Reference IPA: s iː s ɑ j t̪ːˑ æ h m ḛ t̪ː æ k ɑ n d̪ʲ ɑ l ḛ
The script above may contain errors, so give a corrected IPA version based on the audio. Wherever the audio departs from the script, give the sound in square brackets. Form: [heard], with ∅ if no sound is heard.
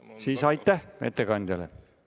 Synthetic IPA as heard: s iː s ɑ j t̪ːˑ æ h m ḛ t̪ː [e] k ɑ n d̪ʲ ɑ l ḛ